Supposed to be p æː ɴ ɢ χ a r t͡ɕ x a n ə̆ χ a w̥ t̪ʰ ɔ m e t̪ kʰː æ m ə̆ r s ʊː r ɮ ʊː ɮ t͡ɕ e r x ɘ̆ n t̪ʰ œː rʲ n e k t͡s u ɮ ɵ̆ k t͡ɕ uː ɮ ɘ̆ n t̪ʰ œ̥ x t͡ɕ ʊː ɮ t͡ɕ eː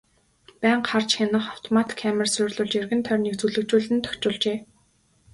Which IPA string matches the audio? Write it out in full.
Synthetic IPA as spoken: p æː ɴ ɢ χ a r t͡ɕ x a n ə̆ χ a w̥ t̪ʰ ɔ m a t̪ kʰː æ m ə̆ r s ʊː r ɮ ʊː ɮ t͡ɕ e r ɣ ɘ̆ n t̪ʰ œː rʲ n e k t͡s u ɮ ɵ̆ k t͡ɕ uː ɮ ɘ̆ n t̪ʰ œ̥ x t͡ɕ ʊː ɮ t͡ɕ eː